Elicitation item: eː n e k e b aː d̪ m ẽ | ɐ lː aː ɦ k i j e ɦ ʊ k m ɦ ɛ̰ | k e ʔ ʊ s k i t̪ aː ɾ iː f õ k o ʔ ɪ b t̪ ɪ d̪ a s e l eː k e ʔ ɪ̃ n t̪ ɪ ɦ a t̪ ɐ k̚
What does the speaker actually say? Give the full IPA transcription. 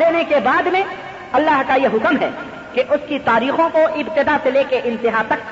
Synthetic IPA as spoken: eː n e k e b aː d̪ m ẽ | ɐ lː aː ɦ k a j e ɦ ʊ k m ɦ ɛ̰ | k e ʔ ʊ s k i t̪ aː ɾ iː x õ k o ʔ ɪ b t̪ ɪ d̪ a s e l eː k e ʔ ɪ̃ n t̪ ɪ ɦ a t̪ ɐ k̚